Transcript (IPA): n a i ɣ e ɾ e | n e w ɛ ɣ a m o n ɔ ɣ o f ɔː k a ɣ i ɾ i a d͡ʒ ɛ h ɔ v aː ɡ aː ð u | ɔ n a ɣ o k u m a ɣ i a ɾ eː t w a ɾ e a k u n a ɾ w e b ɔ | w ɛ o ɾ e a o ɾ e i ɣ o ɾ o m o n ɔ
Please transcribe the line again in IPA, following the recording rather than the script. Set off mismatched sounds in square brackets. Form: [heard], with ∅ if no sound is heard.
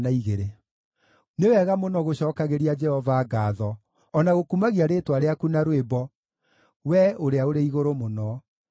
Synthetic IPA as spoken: n a i ɣ e ɾ e | n e w ɛ ɣ a m o n ɔ ɣ o [ɕ] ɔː k a ɣ [e] ɾ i a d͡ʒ ɛ h ɔ v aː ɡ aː ð [ɔ] | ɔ n a ɣ o k u m a ɣ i a ɾ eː t w a ɾ e a k u n a ɾ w e b ɔ | w ɛ o ɾ e a o ɾ e i ɣ o ɾ o m o n ɔ